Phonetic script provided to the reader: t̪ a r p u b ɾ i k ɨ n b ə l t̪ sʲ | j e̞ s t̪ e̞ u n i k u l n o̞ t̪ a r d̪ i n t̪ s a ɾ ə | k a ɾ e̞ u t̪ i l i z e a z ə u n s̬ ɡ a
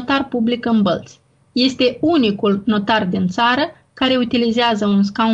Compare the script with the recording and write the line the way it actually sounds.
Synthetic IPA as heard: t̪ a r p u b l i k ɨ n b ə l t̪ sʲ | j e̞ s t̪ e̞ u n i k u l n o̞ t̪ a r d̪ i n t̪ s a ɾ ə | k a ɾ e̞ u t̪ i l i z e a z ə u n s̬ k a